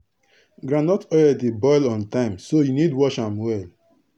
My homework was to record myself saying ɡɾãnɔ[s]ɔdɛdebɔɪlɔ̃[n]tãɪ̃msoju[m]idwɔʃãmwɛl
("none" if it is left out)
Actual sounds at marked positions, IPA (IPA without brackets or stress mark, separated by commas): t, n, n